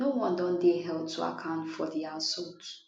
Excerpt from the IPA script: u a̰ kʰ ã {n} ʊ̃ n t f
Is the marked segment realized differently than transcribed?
yes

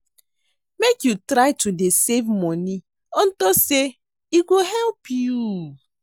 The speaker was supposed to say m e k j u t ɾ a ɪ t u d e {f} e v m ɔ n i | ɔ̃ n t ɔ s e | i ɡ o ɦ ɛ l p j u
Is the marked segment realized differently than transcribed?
yes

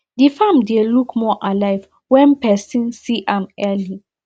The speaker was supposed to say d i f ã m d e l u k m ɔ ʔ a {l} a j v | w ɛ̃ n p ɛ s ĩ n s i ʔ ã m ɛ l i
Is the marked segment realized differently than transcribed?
no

